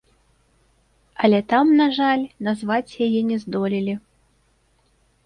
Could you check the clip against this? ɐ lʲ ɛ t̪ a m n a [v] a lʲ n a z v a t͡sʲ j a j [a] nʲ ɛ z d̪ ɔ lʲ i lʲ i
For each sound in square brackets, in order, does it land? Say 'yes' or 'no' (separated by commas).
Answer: no, no